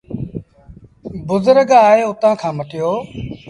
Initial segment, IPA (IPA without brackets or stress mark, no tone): b